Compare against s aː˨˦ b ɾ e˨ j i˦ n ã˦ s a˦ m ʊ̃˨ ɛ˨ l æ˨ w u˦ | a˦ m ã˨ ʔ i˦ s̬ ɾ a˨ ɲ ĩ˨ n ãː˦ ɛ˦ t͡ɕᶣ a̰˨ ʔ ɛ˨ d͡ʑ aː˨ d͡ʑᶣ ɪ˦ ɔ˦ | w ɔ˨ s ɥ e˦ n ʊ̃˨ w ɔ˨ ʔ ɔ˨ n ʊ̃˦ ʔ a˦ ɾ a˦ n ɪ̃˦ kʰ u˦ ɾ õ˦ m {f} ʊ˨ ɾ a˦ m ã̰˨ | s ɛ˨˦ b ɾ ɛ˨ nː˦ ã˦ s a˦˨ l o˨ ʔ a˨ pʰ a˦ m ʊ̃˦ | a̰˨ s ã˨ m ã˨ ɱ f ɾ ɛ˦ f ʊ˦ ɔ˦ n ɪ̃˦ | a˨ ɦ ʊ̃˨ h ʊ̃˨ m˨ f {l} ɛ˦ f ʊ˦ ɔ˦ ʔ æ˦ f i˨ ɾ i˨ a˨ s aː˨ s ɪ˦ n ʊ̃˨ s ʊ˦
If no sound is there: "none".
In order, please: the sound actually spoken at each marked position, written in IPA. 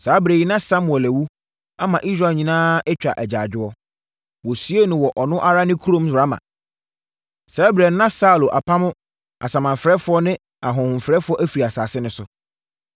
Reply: s, ɾ

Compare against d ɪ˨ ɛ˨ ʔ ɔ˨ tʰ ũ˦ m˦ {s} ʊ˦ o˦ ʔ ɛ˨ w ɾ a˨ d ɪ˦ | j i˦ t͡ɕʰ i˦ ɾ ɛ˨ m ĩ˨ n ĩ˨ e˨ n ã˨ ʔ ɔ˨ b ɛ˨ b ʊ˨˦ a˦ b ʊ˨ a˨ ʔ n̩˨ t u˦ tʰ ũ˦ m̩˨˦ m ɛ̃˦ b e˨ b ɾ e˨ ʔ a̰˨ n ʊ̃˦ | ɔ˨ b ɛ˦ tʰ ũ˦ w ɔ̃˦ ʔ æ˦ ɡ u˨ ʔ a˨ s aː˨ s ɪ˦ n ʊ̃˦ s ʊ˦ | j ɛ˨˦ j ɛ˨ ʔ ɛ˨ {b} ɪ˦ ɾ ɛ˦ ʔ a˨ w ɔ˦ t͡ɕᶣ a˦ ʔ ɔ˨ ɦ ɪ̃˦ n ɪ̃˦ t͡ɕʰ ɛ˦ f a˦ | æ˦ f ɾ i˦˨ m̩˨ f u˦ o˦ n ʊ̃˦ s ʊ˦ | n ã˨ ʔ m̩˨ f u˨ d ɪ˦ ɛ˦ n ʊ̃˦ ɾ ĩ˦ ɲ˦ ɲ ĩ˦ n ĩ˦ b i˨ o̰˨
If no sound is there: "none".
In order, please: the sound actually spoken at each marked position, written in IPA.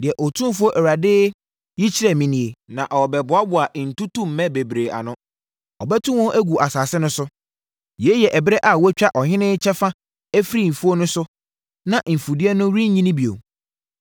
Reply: f, b

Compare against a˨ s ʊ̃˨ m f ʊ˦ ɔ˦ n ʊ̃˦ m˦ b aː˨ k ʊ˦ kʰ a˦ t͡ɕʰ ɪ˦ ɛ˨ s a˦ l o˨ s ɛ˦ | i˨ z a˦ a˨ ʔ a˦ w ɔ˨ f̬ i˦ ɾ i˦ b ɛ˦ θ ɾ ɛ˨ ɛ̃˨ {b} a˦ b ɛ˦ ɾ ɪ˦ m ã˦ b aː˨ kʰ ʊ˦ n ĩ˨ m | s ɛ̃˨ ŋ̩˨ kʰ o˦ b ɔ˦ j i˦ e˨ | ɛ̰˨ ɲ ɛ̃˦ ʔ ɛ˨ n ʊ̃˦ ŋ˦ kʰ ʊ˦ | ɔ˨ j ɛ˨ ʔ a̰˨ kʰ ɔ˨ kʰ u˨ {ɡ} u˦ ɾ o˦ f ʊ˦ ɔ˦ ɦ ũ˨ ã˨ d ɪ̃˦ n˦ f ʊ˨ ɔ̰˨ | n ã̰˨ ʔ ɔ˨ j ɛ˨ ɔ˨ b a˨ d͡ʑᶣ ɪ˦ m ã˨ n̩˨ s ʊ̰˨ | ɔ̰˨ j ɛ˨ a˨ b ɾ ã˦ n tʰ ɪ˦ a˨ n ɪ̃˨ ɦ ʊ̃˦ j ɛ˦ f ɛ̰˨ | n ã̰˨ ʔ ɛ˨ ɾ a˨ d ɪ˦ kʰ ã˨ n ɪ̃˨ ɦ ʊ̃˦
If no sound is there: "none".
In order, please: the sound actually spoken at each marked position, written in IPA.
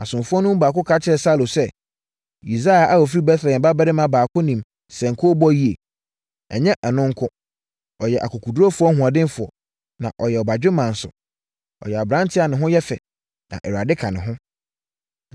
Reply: b, d

